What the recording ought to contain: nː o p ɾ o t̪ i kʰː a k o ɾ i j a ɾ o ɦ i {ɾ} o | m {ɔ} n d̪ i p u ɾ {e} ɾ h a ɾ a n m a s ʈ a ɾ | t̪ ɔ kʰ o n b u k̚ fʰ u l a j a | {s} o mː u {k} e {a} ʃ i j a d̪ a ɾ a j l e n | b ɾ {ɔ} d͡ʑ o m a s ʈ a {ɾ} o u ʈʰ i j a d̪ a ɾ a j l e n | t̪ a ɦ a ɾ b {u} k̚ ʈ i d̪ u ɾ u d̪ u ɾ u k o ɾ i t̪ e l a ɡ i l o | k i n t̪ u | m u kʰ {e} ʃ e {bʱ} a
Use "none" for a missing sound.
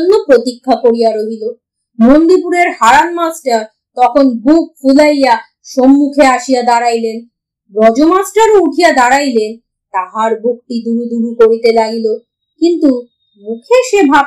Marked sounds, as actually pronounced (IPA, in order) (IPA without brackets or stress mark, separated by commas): l, o, e, ʃ, kʰ, a, ɔ, ɾ, u, e, bʱ